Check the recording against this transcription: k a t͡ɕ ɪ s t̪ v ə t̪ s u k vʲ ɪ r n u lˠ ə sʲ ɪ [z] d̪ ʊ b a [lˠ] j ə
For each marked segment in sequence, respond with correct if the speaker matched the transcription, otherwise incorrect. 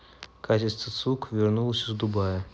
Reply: correct, incorrect

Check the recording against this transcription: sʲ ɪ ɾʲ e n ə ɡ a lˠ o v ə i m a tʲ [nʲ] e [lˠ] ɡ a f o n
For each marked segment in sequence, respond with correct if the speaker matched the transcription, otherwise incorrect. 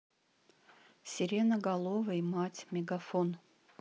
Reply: incorrect, incorrect

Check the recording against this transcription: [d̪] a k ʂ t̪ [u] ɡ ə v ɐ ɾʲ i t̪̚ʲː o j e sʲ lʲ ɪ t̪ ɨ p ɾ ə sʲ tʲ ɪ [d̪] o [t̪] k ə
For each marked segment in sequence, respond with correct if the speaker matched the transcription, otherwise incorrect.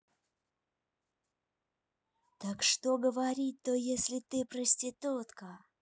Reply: incorrect, incorrect, incorrect, correct

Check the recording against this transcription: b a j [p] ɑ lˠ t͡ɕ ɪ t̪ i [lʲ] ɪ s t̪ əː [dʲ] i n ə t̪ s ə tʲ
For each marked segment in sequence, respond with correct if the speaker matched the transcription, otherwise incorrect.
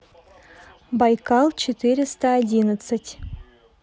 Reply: incorrect, incorrect, correct

